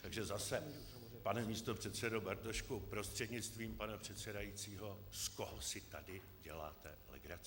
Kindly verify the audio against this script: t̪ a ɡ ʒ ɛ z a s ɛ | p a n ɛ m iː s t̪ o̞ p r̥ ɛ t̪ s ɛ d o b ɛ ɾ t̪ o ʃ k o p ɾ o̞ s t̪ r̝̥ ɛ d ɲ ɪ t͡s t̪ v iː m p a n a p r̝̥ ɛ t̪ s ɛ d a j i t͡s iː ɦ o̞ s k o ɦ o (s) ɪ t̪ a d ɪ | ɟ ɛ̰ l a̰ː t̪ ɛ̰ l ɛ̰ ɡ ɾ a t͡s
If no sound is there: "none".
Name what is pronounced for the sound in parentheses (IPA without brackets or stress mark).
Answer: s